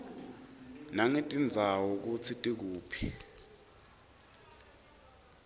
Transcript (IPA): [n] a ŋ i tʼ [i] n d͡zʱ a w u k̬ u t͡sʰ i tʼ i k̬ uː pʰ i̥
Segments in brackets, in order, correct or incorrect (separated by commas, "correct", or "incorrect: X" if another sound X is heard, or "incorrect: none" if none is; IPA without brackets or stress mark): correct, correct